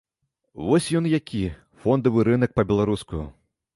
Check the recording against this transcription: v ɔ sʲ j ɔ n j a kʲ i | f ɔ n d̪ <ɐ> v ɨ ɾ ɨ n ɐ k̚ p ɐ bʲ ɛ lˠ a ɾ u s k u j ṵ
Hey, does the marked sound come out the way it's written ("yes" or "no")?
yes